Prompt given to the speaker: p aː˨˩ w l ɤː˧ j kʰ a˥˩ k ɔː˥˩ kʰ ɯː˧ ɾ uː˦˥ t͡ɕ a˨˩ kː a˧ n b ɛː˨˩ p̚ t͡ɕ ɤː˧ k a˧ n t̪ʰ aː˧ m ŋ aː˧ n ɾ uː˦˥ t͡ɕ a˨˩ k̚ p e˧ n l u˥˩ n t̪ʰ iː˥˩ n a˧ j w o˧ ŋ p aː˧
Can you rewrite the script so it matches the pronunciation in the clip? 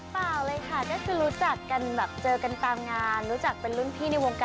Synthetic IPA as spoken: p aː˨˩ w l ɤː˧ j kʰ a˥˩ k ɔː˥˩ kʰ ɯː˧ ɾ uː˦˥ t͡ɕ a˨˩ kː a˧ n b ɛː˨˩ p̚ t͡ɕ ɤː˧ k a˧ n t̪ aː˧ m ŋ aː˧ n ɾ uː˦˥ t͡ɕ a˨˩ k̚ p e˧ n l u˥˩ n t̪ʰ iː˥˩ n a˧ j w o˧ ŋ k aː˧